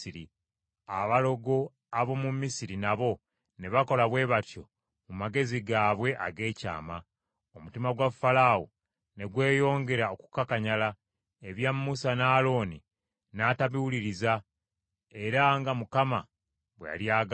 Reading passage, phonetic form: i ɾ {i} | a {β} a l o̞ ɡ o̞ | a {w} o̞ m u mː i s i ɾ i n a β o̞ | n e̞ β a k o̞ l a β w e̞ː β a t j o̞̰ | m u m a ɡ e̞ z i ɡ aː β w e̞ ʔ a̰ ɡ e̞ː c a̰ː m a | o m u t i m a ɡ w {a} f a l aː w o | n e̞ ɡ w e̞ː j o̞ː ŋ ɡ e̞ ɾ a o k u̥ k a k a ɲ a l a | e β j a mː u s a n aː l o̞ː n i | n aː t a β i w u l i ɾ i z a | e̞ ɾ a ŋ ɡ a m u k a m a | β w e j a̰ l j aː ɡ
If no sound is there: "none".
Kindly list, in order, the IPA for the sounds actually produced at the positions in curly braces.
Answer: i, β, β, a

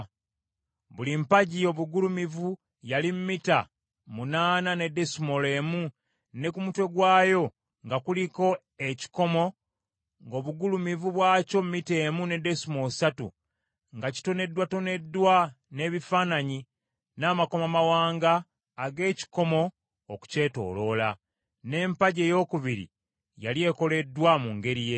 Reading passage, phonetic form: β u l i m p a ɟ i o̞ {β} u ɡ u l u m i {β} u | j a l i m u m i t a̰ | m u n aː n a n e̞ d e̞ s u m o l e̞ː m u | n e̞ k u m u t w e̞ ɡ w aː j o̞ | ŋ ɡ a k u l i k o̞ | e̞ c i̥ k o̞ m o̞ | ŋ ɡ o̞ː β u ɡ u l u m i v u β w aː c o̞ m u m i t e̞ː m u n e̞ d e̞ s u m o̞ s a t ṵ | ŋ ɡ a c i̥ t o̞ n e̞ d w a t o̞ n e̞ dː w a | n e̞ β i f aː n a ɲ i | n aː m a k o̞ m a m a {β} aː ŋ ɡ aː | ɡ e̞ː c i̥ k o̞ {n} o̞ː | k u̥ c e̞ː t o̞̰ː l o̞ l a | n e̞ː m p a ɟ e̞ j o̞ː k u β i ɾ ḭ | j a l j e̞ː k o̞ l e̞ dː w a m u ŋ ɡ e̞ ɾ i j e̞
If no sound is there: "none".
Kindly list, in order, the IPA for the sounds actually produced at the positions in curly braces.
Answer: β, v, w, m

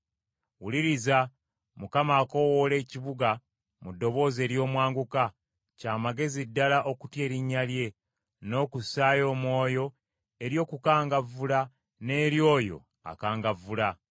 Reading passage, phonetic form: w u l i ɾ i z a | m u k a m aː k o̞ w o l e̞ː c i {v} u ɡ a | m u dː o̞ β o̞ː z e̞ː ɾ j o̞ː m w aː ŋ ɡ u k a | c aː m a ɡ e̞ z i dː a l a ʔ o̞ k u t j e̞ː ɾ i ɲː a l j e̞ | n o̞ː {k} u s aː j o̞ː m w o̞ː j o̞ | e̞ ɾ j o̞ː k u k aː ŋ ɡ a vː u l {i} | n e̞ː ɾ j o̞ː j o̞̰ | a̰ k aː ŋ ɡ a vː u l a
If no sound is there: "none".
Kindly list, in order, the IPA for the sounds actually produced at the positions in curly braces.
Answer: β, k, a

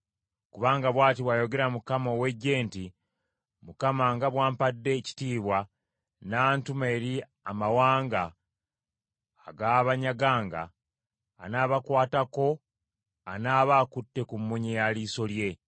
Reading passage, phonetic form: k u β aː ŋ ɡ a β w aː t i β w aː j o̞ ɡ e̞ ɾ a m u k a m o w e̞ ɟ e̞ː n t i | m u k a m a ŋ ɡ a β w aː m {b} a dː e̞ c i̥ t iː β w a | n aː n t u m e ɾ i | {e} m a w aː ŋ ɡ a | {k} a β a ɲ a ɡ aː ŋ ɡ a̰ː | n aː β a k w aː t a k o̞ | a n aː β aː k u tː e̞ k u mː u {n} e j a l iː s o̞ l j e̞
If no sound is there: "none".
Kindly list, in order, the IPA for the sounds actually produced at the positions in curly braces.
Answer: p, a, ɡ, ɲ

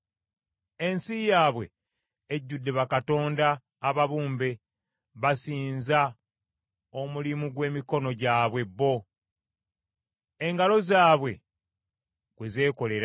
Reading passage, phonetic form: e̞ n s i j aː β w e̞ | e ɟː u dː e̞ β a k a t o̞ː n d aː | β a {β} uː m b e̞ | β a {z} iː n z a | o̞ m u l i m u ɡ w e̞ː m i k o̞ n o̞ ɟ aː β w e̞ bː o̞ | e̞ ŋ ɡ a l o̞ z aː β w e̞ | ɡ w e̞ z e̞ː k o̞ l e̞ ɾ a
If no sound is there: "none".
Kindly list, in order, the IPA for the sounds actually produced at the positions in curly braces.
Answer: β, s

